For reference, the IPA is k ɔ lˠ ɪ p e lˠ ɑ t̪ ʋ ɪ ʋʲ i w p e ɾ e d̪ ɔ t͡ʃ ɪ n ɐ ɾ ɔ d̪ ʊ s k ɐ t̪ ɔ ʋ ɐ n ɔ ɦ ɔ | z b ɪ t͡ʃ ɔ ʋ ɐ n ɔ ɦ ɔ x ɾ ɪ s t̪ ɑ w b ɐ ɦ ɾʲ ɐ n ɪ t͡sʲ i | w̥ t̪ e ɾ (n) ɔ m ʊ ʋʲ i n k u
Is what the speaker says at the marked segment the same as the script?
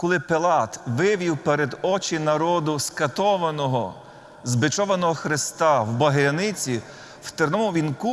yes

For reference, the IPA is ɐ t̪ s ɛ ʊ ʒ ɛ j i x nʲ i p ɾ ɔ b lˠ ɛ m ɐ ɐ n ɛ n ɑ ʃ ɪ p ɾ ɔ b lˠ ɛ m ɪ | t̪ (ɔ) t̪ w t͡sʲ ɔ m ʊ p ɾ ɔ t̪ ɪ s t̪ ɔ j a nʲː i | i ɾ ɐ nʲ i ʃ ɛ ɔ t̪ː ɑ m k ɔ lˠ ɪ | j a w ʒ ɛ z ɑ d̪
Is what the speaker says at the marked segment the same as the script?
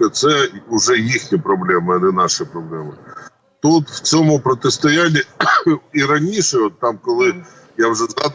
no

